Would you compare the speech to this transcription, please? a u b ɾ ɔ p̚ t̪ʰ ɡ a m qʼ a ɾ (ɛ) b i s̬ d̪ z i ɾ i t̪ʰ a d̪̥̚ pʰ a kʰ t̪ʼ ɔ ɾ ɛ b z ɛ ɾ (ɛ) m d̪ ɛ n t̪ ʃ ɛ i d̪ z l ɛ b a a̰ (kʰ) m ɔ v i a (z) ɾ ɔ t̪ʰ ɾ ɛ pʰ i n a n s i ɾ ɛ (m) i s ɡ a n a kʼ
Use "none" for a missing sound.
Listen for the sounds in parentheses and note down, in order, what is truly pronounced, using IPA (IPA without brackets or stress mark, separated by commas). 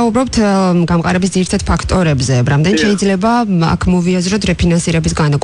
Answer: ɛ, a, kʰ, z, b